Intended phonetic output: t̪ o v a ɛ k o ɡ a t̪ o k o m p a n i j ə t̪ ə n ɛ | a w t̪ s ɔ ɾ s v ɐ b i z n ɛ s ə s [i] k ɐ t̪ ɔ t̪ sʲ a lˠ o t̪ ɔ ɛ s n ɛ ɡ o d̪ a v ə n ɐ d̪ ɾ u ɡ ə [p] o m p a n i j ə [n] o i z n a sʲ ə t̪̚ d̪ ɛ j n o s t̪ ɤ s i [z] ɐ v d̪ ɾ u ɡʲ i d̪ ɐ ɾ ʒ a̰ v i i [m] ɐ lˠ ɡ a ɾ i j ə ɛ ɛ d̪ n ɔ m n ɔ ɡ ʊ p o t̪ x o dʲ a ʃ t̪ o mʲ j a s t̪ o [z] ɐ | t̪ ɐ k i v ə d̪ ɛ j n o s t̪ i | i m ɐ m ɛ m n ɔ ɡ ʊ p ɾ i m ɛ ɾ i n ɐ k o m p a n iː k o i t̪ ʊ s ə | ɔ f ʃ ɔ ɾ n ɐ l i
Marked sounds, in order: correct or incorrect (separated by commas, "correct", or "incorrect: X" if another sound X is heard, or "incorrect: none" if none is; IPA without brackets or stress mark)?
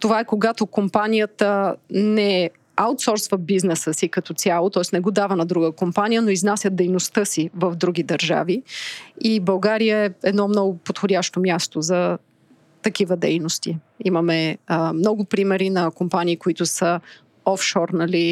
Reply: correct, incorrect: k, correct, incorrect: v, incorrect: b, correct